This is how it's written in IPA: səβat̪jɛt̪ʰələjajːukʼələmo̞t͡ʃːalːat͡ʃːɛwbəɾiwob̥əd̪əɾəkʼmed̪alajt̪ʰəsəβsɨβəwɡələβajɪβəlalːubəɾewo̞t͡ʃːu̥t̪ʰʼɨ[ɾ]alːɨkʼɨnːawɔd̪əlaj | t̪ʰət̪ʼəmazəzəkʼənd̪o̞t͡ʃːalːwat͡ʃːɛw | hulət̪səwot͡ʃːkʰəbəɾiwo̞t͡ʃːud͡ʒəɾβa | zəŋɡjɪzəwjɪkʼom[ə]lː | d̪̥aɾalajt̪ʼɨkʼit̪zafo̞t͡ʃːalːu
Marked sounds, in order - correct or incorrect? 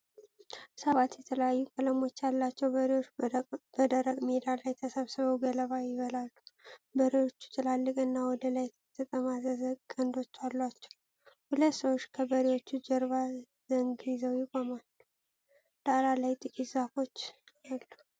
incorrect, incorrect

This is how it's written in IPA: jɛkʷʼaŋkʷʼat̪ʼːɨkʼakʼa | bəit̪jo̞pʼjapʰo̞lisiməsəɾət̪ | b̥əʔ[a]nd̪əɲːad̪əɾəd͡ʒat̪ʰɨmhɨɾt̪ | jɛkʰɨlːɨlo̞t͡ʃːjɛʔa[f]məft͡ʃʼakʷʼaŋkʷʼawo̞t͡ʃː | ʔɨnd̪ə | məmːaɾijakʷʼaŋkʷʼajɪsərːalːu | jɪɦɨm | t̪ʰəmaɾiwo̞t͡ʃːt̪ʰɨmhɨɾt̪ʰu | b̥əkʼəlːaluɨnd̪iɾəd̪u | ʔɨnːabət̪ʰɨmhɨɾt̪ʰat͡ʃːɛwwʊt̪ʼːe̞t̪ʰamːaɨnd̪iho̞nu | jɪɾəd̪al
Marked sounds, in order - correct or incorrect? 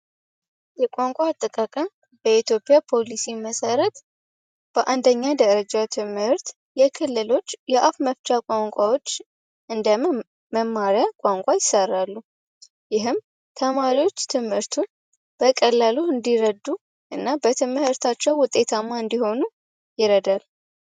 correct, correct

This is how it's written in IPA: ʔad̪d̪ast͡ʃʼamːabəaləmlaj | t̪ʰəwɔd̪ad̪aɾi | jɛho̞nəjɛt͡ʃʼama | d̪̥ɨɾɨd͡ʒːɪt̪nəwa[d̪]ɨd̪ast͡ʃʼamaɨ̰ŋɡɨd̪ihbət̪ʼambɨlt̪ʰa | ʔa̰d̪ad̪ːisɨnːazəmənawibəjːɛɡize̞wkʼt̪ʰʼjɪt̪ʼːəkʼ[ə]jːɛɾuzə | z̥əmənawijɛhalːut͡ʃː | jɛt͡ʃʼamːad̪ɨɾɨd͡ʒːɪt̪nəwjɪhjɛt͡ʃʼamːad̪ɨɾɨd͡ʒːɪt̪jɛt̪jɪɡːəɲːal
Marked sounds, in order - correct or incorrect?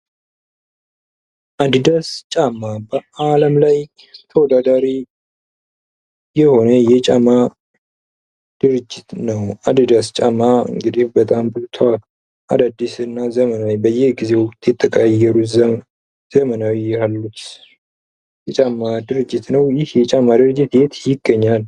correct, incorrect

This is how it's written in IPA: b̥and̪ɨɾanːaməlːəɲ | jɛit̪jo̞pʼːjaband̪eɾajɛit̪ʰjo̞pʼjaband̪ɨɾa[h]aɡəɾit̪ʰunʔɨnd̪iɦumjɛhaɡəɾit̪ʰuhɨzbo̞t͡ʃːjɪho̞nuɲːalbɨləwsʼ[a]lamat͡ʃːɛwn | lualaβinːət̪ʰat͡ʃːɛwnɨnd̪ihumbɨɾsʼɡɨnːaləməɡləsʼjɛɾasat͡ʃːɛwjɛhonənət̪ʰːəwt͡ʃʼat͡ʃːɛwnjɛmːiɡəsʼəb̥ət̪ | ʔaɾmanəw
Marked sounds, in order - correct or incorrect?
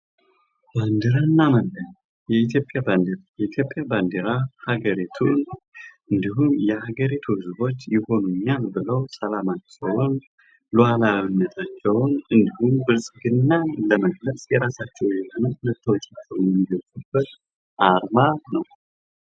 correct, incorrect

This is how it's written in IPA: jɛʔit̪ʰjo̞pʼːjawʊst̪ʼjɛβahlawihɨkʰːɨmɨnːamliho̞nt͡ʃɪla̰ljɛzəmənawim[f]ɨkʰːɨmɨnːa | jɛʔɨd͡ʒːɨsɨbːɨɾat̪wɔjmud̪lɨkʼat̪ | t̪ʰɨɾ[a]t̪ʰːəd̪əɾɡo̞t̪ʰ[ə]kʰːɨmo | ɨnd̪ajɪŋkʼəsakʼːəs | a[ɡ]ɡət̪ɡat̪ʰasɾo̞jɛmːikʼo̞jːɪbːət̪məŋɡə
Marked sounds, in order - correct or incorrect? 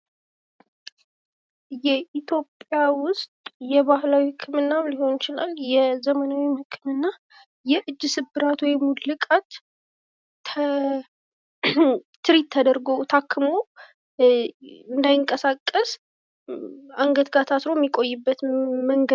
incorrect, incorrect, incorrect, incorrect

